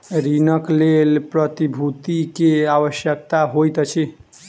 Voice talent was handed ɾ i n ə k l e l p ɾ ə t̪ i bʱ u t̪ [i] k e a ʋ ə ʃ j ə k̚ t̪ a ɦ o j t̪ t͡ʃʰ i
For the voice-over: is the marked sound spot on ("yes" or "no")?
yes